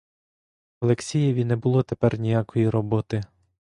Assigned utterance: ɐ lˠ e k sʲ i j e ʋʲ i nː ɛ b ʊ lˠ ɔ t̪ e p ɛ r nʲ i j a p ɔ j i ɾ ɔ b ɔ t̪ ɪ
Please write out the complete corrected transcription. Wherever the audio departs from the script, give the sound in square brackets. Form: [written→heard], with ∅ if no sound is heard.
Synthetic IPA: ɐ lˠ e k sʲ i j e ʋʲ i [nː→n] ɛ b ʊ lˠ ɔ t̪ e p ɛ r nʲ i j a [p→k] ɔ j i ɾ ɔ b ɔ t̪ ɪ